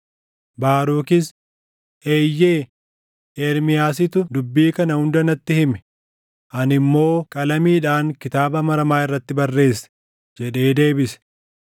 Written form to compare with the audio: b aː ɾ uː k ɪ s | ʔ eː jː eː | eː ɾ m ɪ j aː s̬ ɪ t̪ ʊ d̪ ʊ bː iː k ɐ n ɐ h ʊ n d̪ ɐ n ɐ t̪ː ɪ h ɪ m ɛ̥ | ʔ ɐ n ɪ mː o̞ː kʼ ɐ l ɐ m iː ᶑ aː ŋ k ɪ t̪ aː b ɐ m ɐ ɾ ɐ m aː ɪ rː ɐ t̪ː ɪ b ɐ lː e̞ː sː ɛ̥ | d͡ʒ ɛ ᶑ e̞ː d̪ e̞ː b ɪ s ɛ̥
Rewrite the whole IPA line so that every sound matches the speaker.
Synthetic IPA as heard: b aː ɾ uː k ɪ s | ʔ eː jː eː | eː ɾ m ɪ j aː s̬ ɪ t̪ ʊ d̪ ʊ bː iː k ɐ n ɐ h ʊ n d̪ ɐ n ɐ t̪ː ɪ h ɪ m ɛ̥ | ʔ ɐ n ɪ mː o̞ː kʼ ɐ l ɐ m iː ᶑ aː ŋ k ɪ t̪ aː b ɐ m ɐ ɾ ɐ m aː ɪ rː ɐ t̪ː ɪ b ɐ rː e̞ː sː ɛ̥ | d͡ʒ ɛ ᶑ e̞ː d̪ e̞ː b ɪ s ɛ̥